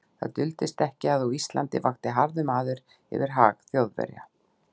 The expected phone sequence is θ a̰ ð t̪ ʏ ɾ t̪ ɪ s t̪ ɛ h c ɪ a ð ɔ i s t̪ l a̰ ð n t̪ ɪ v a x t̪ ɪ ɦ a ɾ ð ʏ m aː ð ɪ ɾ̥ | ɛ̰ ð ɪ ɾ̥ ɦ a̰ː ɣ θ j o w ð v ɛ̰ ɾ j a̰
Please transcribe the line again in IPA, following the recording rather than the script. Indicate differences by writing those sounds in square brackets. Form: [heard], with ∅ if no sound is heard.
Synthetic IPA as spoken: θ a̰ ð t̪ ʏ [l] t̪ ɪ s t̪ ɛ h c ɪ a ð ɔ i s t̪ l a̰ [∅] n t̪ ɪ v a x t̪ ɪ ɦ a ɾ ð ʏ m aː ð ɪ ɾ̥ | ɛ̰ [v] ɪ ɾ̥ ɦ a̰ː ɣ θ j o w ð v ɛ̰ ɾ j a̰